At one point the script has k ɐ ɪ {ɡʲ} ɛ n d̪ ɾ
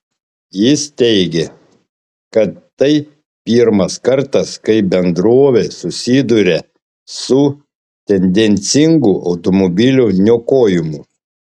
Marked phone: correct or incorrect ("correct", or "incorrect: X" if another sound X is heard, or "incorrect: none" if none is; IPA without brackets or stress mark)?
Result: incorrect: bʲ